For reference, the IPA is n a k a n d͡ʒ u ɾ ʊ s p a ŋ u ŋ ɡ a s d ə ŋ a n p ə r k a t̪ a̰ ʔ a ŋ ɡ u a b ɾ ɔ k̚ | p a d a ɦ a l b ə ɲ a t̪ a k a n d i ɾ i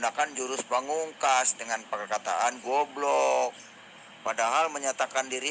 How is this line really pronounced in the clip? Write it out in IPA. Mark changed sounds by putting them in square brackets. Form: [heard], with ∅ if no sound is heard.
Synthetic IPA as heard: n a k a n d͡ʒ u ɾ ʊ s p a ŋ u ŋ [k] a s d ə ŋ a n p ə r k a t̪ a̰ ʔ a [n] ɡ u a b [l] ɔ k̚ | p a d a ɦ a l [m] ə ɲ a t̪ a k a n d i ɾ i